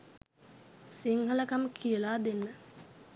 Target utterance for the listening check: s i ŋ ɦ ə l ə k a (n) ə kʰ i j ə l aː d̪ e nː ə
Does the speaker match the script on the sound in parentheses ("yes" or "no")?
no